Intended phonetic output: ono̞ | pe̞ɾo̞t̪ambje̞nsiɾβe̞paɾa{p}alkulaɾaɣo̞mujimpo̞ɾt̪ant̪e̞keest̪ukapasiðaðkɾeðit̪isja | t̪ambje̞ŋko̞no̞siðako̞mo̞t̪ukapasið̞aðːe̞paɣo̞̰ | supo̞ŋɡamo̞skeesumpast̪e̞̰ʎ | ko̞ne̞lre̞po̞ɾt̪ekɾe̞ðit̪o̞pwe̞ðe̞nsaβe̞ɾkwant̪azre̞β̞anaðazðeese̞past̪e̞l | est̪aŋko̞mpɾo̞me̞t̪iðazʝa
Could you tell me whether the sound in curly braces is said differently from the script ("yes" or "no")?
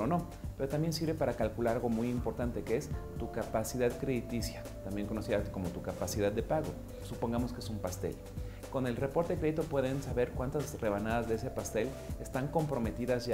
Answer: yes